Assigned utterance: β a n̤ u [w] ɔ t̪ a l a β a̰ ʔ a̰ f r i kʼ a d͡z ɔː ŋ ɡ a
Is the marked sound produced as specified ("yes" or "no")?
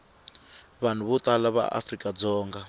no